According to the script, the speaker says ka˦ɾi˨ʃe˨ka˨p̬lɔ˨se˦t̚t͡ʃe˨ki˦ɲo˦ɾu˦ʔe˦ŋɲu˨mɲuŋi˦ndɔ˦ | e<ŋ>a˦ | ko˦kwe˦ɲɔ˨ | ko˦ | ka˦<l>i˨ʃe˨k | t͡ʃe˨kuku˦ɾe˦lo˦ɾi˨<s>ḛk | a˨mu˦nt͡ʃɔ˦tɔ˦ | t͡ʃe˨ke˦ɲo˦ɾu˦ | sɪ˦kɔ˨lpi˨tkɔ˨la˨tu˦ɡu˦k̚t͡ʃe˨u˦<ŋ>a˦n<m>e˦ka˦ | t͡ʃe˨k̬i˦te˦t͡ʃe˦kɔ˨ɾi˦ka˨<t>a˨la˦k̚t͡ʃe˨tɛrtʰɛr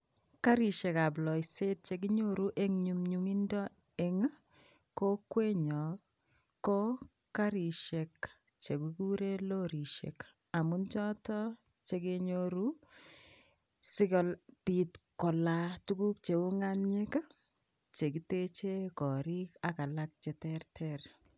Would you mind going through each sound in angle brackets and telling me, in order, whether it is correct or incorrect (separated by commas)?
correct, incorrect, incorrect, correct, incorrect, incorrect